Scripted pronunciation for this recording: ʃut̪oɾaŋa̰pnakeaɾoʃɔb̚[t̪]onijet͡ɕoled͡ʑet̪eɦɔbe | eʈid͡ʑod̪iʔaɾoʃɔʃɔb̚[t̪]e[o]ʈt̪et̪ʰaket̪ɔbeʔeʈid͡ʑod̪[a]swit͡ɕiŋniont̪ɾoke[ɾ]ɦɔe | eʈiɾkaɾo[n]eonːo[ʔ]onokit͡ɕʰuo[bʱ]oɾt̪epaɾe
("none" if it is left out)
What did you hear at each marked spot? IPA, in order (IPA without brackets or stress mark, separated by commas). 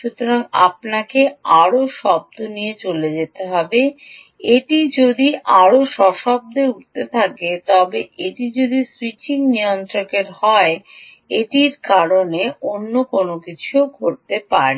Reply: d̪, d̪, u, i, ɾ, n, k, ɡʱ